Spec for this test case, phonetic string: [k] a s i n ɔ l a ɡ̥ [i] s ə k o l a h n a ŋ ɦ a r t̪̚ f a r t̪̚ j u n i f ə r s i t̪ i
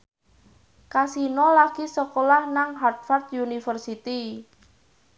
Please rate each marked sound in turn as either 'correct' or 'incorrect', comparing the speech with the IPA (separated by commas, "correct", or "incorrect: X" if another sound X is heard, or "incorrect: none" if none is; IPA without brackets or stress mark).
correct, correct